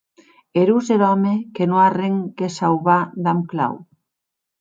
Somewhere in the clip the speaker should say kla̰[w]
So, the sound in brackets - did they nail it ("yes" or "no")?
yes